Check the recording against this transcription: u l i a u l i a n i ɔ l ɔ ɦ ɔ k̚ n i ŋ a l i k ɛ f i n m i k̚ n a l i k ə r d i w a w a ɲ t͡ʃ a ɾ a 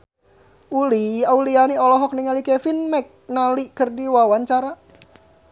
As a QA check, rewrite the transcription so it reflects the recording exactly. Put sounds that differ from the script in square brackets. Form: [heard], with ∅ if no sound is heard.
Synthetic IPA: u l i a u l i a n i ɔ l ɔ ɦ ɔ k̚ n i ŋ a l i k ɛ f i n m [ɛ] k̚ n a l i k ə r d i w a w a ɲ t͡ʃ a ɾ a

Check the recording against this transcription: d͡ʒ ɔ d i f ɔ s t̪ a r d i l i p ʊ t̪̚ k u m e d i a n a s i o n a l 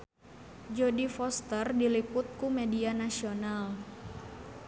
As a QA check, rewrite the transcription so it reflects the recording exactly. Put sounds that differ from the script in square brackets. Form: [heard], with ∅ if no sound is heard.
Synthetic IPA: d͡ʒ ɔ d i f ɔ s t̪ [ə] r d i l i p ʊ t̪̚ k u m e d i a n a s i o n a l

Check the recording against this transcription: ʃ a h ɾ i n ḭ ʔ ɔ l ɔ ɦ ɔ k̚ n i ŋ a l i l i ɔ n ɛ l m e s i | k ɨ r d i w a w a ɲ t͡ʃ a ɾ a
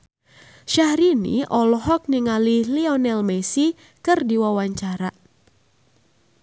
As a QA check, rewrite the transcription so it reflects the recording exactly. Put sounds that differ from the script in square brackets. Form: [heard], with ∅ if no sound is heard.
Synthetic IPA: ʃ a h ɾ i n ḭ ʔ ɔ l ɔ ɦ ɔ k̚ n i ŋ a l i l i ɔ n ɛ l m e s i | k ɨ r d i w a w a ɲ t͡ʃ a ɾ a

